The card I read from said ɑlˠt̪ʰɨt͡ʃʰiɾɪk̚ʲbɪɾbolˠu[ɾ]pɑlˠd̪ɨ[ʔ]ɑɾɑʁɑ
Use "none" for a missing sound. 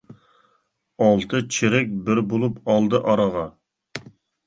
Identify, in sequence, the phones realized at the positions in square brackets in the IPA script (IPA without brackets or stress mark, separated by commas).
none, ʔ